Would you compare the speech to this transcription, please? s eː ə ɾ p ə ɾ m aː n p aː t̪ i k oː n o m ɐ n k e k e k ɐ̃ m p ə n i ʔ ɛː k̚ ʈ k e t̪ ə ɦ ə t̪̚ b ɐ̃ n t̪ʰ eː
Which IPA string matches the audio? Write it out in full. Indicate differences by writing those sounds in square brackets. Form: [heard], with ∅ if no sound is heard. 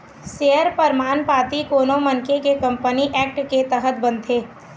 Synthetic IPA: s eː ə ɾ p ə ɾ m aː n p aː t̪ i k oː n o m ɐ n k e k e k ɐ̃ m p ə n i ʔ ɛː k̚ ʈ k e t̪ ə ɦ ə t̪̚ b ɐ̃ n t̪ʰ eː

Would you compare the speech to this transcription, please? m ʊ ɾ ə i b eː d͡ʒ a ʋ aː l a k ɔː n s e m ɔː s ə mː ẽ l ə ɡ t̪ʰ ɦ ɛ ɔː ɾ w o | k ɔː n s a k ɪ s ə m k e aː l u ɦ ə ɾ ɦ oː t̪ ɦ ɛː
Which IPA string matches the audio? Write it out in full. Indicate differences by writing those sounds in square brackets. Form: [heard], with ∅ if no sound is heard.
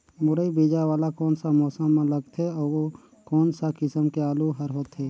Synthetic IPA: m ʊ ɾ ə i b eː d͡ʒ a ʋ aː l a k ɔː n s [a] m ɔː s ə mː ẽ l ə ɡ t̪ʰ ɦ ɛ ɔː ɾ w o | k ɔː n s a k ɪ s ə m k e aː l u ɦ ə ɾ ɦ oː t̪ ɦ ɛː

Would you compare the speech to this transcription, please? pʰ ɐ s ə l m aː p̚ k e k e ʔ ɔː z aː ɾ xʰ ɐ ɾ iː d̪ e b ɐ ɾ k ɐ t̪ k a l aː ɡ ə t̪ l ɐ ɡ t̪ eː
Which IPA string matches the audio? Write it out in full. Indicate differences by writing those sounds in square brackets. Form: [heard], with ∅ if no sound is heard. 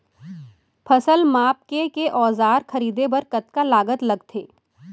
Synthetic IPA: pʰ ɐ s ə l m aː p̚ k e k e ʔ ɔː z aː ɾ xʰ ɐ ɾ iː d̪ e b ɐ ɾ k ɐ t̪ k a l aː ɡ ə t̪ l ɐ ɡ [t̪ʰ] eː

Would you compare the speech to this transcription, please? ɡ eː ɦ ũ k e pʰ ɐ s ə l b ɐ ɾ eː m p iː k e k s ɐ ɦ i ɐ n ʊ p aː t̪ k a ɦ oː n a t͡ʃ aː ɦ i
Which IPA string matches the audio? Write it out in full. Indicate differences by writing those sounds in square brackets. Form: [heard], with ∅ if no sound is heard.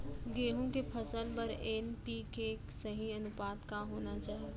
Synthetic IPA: ɡ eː ɦ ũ k e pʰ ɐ s ə l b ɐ ɾ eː [n] p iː k e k s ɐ ɦ i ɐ n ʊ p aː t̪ k a ɦ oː n a t͡ʃ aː ɦ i

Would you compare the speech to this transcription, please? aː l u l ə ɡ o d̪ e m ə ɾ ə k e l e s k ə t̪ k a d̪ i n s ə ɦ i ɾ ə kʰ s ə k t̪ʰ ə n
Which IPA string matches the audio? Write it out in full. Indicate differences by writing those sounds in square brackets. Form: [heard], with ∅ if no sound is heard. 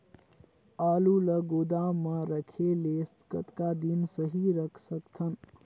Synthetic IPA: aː l u l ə ɡ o d̪ [a] m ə ɾ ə [kʰ] e l e s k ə t̪ k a d̪ i n s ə ɦ i ɾ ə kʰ s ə k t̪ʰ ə n

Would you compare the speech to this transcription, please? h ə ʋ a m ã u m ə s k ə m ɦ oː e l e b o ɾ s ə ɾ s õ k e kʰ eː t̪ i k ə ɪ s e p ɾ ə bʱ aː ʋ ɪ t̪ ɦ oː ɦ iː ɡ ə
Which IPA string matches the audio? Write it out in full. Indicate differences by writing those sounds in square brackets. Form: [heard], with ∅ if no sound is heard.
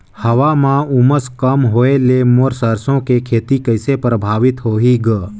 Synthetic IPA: h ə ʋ a m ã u m ə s k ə m ɦ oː e l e [m] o ɾ s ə ɾ s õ k e kʰ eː t̪ i k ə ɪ s e p ɾ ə bʱ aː ʋ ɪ t̪ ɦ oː ɦ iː ɡ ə

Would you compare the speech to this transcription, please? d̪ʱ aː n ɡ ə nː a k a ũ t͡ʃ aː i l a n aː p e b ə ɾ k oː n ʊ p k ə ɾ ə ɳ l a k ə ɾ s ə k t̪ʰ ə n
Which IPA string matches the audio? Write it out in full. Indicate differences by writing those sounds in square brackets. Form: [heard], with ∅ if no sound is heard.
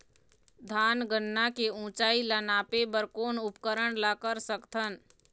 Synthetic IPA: d̪ʱ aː n ɡ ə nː a k [e] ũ t͡ʃ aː i l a n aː p e b ə ɾ k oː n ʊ p k ə ɾ ə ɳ l a k ə ɾ s ə k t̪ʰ ə n

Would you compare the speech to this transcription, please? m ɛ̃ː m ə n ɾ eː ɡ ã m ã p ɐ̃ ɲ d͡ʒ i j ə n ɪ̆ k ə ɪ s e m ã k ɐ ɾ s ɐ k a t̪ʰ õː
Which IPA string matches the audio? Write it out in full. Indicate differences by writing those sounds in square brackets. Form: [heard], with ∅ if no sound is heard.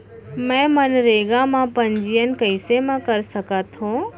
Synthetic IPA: m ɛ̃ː m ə n ɾ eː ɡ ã m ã p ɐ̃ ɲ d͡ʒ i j ə n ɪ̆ k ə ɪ s e m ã k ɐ ɾ s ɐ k a t̪ʰ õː

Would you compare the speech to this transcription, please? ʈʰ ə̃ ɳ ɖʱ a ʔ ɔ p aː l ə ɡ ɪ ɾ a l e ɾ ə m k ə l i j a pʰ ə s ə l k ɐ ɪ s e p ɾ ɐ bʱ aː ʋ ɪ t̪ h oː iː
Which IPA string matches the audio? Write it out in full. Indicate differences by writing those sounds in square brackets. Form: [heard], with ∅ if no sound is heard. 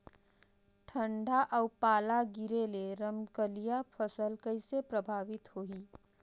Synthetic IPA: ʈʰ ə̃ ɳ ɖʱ a ʔ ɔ p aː l [a] ɡ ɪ ɾ [e] l e ɾ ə m k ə l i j a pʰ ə s ə l k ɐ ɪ s e p ɾ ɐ bʱ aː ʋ ɪ t̪ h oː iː

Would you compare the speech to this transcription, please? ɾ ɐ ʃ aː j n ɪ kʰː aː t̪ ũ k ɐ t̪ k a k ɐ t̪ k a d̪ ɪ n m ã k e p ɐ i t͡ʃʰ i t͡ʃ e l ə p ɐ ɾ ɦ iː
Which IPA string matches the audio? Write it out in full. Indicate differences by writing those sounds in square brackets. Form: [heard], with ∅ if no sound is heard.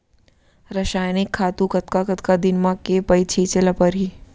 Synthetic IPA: ɾ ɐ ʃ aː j n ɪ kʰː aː t̪ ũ k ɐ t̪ k a k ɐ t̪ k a d̪ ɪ n m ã k e p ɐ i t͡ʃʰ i t͡ʃ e l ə p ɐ ɾ ɦ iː

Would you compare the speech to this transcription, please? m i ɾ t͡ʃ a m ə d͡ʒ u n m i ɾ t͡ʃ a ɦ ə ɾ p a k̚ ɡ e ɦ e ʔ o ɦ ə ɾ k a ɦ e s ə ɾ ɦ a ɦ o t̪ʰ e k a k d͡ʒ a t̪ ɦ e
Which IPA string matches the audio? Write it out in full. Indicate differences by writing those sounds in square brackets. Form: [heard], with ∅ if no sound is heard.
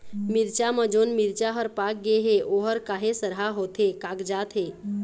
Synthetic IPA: m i ɾ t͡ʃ a m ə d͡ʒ [o] n m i ɾ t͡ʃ a ɦ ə ɾ p a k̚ ɡ e ɦ e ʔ o ɦ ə ɾ k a ɦ e s ə ɾ ɦ a ɦ o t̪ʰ e k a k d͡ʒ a t̪ ɦ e

